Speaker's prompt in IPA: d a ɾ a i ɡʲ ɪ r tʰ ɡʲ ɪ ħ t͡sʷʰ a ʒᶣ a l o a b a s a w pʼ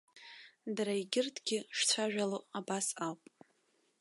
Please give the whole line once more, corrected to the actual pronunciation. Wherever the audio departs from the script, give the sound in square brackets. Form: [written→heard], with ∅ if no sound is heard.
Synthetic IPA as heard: d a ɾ a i ɡʲ ɪ r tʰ ɡʲ ɪ [ħ→ʂ] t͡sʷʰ a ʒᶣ a l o a b a s a w pʼ

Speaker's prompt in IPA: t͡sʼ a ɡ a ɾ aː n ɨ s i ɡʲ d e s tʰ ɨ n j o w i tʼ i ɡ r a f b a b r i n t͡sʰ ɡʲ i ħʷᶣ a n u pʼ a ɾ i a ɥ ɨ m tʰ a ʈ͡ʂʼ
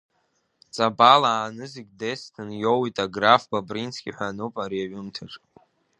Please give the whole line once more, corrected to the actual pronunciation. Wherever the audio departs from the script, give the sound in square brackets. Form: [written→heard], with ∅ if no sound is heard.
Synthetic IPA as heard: t͡sʼ a [ɡ→b] a [ɾ→l] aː n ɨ [s→z] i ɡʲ d e s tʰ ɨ n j o w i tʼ [i→a] ɡ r a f b a b r i n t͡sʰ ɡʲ i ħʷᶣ a n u pʼ a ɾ i a ɥ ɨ m tʰ a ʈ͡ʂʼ

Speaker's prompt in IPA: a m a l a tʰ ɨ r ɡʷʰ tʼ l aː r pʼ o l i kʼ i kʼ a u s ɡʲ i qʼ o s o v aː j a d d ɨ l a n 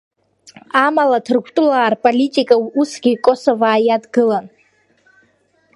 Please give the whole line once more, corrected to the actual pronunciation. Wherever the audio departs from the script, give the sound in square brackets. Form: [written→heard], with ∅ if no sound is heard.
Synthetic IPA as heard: a m a l a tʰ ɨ r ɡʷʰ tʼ l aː r pʼ o l i [kʼ→tʼ] i kʼ a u s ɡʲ i [qʼ→kʼ] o s o v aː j a d [d→ɡ] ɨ l a n

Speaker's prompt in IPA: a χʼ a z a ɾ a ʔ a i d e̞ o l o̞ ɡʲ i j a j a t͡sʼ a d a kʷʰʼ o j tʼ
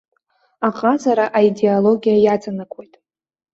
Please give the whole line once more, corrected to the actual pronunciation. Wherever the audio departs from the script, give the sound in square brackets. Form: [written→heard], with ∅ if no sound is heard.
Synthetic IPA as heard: a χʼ a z a ɾ a ʔ a i d e̞ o l o̞ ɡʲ i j a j a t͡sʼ a [d→n] a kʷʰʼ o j tʼ

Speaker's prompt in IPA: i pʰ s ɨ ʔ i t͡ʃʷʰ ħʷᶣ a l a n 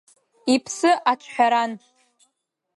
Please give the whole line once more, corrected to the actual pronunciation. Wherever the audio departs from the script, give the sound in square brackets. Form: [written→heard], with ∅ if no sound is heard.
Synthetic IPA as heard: i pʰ s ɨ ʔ [i→a] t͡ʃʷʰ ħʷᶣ a [l→ɾ] a n

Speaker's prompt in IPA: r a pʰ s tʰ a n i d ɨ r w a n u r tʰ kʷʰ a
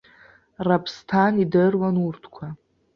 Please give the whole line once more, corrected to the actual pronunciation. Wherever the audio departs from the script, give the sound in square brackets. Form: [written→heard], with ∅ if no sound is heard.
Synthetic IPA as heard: r a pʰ s tʰ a n i d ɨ r w a n u r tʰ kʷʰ a

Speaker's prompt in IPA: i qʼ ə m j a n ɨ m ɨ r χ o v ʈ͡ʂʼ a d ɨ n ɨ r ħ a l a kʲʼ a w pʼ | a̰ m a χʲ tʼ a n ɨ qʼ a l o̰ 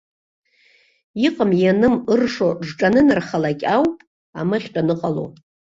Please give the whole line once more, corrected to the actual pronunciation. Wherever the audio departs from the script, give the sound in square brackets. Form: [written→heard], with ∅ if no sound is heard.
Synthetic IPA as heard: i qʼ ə m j a n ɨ m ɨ r [χ→ʂ] o [v→ʐ] ʈ͡ʂʼ a [d→n] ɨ n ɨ r [ħ→χ] a l a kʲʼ a w pʼ | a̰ m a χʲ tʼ a n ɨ qʼ a l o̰

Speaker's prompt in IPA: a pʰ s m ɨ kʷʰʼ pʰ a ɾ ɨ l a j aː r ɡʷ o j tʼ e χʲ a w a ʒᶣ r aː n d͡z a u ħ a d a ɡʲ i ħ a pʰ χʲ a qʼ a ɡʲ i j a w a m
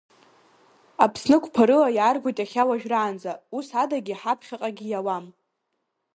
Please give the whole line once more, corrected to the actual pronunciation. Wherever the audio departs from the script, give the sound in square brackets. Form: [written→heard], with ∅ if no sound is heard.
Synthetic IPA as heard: a pʰ s [m→n] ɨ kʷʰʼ pʰ a ɾ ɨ l a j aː r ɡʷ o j tʼ [e→a] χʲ a w a ʒᶣ r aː n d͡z a u [ħ→s] a d a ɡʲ i ħ a pʰ χʲ a qʼ a ɡʲ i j a w a m

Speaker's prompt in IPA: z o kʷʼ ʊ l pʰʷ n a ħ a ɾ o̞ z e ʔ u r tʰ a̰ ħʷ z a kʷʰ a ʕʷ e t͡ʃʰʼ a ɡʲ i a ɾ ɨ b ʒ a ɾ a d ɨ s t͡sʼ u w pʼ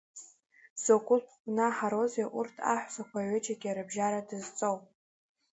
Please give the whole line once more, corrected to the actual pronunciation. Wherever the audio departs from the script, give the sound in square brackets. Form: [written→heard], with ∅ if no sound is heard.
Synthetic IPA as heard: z o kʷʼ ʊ l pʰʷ n a ħ a ɾ o̞ z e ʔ u r tʰ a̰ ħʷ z a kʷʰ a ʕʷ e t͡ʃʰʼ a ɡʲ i a ɾ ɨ b ʒ a ɾ a d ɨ [s→z] t͡sʼ [u→o] w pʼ

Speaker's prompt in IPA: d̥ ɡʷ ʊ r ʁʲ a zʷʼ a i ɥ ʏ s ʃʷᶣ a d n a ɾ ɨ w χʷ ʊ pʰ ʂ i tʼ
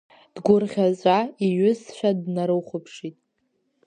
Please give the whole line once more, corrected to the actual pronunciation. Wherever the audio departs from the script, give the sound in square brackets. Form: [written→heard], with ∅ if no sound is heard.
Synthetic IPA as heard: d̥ ɡʷ ʊ r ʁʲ a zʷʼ a i ɥ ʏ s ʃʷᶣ a d n a ɾ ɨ w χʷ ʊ pʰ ʂ i tʼ

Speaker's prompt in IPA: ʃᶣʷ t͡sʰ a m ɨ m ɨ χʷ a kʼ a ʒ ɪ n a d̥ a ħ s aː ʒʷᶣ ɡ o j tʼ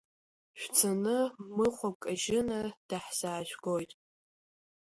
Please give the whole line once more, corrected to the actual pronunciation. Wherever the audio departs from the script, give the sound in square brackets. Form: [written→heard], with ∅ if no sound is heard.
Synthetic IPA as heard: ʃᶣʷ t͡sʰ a [m→n] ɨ m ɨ χʷ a kʼ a ʒ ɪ n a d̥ a ħ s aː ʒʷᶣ ɡ o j tʼ

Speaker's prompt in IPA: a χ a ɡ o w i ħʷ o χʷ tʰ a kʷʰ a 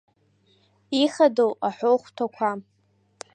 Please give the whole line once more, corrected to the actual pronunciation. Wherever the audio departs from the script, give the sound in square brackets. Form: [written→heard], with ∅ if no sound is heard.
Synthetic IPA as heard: [a→i] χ a [ɡ→d] o w [i→a] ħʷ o χʷ tʰ a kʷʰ a

